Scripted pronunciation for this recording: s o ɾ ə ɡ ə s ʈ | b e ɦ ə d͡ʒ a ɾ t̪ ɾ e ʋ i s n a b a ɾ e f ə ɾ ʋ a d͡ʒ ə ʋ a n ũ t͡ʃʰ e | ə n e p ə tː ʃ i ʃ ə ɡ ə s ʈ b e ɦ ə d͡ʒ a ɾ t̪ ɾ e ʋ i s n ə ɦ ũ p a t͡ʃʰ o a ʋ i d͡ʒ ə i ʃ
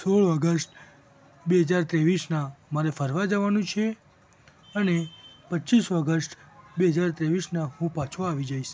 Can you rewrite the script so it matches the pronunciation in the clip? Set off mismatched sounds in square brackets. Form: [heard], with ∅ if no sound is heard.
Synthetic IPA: s o [ɭ] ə ɡ ə s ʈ | b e ɦ ə d͡ʒ a ɾ t̪ ɾ e ʋ i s n a [m] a ɾ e f ə ɾ ʋ a d͡ʒ ə ʋ a n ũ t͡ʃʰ e | ə n e p ə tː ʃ i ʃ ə ɡ ə s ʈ b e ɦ ə d͡ʒ a ɾ t̪ ɾ e ʋ i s n [a] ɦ ũ p a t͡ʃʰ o a ʋ i d͡ʒ [a] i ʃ